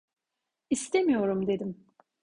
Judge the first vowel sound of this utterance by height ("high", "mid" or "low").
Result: high